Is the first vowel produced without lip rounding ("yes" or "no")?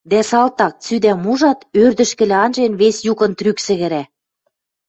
yes